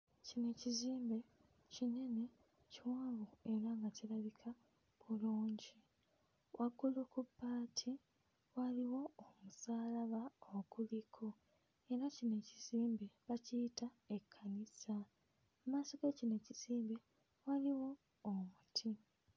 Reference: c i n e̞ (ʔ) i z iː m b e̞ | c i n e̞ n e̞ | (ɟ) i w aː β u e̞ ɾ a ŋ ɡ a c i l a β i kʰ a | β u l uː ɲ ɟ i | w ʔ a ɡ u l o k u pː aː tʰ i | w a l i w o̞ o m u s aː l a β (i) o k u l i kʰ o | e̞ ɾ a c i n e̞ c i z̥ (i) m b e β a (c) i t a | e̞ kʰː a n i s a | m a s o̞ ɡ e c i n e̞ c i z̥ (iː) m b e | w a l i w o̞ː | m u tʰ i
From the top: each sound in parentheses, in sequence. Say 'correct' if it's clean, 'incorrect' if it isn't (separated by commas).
incorrect, incorrect, incorrect, incorrect, correct, correct